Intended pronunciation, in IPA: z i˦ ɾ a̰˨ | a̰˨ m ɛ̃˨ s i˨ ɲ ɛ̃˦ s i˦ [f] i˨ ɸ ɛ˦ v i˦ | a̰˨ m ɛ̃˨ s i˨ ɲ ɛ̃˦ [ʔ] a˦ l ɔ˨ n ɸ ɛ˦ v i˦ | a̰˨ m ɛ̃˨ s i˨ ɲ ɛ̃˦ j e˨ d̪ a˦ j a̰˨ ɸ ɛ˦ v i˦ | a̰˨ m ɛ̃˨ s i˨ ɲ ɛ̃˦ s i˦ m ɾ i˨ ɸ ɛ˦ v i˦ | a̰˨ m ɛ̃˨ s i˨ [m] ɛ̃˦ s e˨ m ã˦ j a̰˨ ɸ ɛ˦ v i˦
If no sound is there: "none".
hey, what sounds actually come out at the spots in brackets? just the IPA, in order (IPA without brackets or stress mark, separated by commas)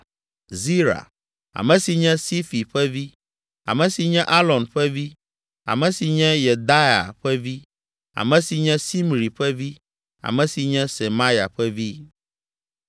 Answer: f, ʔ, ɲ